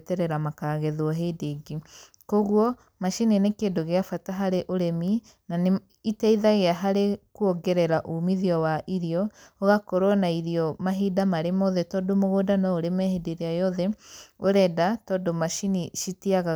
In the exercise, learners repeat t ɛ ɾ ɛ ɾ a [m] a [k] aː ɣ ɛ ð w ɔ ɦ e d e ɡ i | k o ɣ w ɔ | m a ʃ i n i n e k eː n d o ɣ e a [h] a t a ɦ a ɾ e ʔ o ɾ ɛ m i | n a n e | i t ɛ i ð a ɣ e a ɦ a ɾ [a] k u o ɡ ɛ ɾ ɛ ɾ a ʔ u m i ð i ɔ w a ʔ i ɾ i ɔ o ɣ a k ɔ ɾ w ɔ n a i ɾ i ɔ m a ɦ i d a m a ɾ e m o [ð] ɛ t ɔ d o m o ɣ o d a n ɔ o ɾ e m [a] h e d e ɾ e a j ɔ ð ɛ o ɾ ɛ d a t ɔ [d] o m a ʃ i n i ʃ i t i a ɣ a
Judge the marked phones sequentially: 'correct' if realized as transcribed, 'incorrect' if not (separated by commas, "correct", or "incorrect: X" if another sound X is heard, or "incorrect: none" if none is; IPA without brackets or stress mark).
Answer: correct, correct, incorrect: f, incorrect: e, correct, incorrect: ɛ, correct